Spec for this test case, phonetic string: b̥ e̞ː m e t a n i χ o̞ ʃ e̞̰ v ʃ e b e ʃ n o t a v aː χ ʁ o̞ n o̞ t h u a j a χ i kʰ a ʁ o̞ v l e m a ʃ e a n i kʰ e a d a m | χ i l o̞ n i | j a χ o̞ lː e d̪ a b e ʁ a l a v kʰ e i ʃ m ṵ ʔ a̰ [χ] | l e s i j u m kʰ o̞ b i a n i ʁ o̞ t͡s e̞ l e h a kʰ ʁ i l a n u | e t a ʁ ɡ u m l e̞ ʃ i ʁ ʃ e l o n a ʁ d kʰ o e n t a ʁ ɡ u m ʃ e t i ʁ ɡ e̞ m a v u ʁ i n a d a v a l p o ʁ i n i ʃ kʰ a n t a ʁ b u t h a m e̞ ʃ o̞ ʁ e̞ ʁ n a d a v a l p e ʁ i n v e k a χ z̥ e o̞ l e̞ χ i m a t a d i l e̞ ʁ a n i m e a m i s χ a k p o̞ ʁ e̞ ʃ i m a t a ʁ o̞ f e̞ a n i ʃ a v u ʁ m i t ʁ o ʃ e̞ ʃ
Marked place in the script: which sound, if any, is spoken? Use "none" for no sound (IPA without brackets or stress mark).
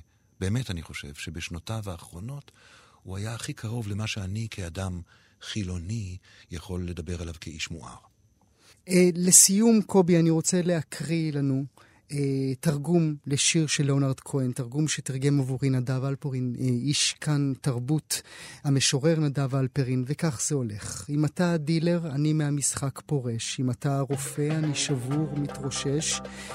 ʁ